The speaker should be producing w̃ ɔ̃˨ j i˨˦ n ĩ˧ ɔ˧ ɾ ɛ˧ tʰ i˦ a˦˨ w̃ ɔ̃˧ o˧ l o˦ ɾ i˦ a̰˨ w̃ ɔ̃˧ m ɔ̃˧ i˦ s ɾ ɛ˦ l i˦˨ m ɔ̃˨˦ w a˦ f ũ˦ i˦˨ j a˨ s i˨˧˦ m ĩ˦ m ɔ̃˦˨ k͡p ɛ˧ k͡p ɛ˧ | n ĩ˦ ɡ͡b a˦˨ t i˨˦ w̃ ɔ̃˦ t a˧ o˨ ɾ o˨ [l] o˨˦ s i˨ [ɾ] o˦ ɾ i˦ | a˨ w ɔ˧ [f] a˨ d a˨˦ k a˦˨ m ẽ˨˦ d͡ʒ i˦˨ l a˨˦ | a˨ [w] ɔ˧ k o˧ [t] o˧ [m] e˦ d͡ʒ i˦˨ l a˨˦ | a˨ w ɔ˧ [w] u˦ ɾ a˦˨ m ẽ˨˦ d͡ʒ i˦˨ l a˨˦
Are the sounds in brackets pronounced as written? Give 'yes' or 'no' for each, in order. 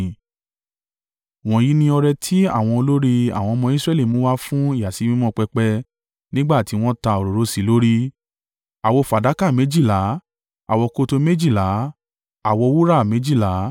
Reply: no, no, yes, yes, yes, yes, yes

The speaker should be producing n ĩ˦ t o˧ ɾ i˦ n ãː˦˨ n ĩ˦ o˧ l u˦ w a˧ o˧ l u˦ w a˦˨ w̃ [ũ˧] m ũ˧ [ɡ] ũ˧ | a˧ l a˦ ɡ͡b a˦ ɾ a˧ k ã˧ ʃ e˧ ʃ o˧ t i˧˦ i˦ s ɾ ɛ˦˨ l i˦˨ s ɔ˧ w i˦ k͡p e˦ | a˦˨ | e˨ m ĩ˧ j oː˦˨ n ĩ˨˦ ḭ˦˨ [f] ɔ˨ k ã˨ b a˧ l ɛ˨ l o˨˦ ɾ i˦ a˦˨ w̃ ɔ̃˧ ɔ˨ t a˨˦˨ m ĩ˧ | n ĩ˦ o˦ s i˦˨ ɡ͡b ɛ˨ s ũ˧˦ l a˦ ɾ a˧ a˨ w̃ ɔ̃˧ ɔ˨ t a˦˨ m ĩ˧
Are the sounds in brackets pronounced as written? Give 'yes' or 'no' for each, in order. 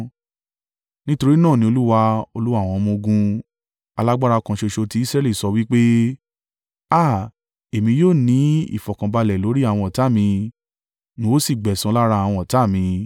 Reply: no, yes, yes

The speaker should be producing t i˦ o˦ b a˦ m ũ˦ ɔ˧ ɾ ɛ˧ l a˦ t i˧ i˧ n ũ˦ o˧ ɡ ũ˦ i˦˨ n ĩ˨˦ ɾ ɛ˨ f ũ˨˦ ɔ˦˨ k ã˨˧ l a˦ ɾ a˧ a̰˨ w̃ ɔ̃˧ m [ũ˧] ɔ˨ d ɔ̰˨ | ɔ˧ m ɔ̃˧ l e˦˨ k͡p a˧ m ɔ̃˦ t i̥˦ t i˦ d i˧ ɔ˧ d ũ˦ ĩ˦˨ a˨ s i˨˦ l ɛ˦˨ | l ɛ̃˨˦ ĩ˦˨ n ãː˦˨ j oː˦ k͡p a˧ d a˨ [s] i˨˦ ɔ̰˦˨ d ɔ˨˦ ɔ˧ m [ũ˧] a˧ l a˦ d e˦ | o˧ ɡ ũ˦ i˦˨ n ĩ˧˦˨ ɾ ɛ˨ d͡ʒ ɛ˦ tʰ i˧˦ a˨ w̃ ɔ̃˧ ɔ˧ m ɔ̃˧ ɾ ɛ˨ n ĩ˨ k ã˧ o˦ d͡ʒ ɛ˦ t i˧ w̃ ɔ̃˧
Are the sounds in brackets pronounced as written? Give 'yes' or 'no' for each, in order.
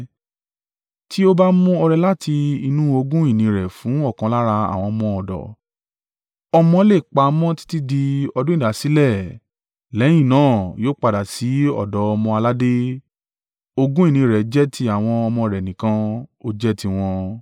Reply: no, yes, no

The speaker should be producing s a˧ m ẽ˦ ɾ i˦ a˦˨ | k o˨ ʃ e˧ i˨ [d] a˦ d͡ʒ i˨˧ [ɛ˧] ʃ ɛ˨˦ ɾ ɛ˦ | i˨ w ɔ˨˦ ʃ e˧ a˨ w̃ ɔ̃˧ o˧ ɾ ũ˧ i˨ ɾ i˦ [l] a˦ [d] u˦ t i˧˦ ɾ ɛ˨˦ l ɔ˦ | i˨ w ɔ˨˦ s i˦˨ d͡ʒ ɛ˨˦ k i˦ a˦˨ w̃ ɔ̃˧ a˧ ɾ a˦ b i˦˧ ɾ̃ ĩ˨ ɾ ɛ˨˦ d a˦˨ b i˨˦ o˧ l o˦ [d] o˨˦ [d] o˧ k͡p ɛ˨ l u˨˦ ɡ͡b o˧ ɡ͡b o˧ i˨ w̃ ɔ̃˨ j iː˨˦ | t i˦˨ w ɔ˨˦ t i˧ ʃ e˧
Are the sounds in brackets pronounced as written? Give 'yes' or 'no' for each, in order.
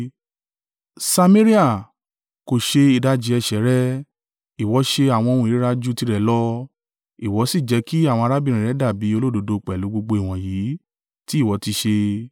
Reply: yes, yes, no, no, yes, yes

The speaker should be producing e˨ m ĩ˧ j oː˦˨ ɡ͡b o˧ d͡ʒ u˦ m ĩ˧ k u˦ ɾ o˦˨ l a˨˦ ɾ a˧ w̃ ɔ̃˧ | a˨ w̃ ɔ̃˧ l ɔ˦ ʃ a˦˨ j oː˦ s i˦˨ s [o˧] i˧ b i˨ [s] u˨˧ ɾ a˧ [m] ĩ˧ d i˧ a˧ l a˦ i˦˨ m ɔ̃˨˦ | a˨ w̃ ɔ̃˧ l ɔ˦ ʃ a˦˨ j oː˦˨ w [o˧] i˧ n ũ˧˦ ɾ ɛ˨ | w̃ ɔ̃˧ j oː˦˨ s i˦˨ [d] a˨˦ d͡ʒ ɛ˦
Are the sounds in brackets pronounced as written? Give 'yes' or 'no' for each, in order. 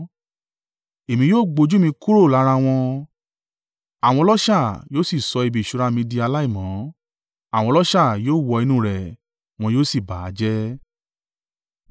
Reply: no, no, yes, no, no

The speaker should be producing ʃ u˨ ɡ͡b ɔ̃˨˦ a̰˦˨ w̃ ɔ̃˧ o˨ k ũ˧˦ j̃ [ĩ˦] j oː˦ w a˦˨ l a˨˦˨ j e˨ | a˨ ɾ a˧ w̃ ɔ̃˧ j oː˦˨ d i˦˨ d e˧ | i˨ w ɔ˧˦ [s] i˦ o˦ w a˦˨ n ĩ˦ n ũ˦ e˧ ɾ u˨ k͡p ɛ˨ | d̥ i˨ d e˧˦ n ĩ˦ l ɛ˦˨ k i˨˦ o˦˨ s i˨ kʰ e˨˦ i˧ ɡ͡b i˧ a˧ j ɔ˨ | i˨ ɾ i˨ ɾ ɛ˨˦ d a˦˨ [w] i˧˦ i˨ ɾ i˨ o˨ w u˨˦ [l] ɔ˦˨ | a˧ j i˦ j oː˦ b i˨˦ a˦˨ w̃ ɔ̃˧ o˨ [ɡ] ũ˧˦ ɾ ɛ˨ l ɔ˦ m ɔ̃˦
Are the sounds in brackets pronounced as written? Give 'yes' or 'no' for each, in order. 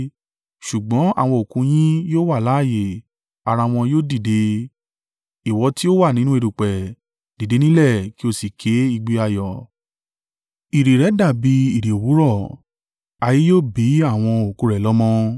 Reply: yes, no, no, no, no

